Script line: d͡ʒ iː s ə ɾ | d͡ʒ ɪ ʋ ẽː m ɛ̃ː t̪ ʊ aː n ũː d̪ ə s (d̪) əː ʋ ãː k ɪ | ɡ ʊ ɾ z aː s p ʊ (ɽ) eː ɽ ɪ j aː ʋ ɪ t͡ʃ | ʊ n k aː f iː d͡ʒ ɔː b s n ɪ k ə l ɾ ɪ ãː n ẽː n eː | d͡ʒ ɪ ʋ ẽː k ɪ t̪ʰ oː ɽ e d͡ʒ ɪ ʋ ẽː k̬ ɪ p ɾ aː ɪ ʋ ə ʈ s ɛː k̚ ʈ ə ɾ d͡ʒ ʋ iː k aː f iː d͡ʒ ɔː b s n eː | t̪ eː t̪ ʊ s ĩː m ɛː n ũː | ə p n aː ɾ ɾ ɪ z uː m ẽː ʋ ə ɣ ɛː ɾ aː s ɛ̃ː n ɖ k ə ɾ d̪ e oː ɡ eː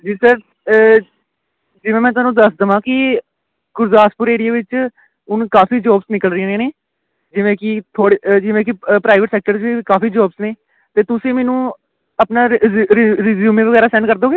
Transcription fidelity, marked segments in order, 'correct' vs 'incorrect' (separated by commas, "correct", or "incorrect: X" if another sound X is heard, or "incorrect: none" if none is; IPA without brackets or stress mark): correct, incorrect: ɾ